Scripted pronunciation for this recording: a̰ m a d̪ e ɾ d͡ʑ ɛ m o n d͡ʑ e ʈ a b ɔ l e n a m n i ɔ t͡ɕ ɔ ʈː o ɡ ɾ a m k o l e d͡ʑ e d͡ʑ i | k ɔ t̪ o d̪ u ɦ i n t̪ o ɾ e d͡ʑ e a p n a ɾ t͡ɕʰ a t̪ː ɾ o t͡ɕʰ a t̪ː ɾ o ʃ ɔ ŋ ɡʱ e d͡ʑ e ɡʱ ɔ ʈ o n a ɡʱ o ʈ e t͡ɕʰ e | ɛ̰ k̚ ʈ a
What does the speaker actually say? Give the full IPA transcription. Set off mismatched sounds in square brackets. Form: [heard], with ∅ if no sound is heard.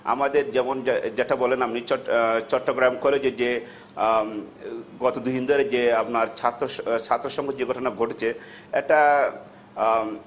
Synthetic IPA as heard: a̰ m a d̪ e ɾ d͡ʑ ɛ m o n d͡ʑ e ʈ a b ɔ l e n a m n i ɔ t͡ɕ ɔ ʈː o ɡ ɾ a m k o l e d͡ʑ e d͡ʑ [e] | [ɡ] ɔ t̪ o d̪ u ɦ i n [d̪] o ɾ e d͡ʑ e a p n a ɾ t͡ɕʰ a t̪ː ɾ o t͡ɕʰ a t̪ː ɾ o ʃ ɔ ŋ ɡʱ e d͡ʑ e ɡʱ ɔ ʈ o n a ɡʱ o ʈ e t͡ɕʰ e | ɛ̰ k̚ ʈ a